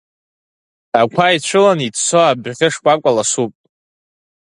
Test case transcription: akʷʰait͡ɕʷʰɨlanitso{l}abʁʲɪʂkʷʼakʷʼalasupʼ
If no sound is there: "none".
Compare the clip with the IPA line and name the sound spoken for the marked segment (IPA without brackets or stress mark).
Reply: none